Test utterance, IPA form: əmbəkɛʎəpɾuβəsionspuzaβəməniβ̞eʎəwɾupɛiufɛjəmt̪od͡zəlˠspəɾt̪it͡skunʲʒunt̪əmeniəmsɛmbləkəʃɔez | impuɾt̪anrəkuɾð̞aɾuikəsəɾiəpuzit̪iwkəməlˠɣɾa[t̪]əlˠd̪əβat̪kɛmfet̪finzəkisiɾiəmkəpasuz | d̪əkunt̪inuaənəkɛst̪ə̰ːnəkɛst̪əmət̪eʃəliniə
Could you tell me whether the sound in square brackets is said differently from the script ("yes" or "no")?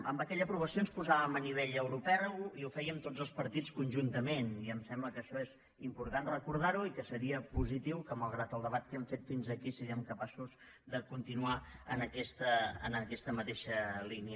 no